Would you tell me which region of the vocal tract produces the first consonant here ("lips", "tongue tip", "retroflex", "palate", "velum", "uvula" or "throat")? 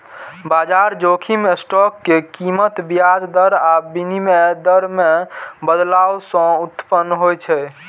lips